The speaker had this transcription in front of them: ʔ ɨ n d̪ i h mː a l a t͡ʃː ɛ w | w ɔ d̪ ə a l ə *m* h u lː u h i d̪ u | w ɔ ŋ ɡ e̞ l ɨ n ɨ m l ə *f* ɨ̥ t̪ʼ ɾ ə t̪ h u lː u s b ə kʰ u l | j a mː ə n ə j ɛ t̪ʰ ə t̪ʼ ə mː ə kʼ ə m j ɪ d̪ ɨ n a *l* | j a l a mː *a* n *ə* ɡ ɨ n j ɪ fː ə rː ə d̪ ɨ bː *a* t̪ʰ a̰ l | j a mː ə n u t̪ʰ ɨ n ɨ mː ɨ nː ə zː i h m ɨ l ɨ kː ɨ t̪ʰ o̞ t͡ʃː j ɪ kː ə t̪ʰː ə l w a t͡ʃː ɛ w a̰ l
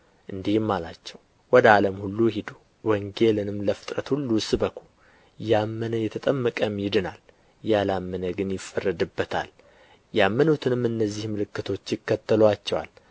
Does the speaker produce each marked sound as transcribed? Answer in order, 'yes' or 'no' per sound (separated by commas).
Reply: yes, yes, yes, no, yes, no